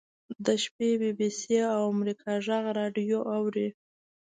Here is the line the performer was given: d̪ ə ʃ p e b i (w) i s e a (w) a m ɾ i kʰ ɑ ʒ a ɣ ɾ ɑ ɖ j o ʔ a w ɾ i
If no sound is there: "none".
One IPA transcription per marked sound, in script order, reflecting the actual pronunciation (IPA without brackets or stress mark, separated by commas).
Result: b, w